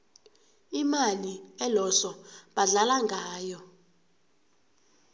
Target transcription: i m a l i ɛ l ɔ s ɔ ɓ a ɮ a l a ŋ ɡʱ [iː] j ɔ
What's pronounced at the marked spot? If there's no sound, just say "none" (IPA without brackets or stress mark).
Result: aː